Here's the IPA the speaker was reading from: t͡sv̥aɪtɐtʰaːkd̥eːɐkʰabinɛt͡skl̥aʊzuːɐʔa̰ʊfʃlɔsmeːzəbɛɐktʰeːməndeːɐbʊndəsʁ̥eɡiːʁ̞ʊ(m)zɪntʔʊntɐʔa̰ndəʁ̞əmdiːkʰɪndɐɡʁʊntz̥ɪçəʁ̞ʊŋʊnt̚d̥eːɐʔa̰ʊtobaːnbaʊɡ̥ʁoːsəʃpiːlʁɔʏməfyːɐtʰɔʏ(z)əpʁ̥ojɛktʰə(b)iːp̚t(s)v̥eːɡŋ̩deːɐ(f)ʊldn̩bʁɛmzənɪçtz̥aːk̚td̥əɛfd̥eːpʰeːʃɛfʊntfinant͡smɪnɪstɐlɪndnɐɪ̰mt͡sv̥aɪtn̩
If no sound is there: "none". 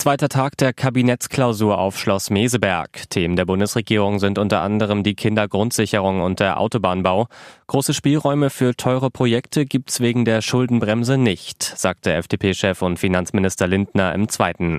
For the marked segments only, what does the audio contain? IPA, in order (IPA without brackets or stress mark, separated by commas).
ŋ, ʁ, ɡ, s, ʃ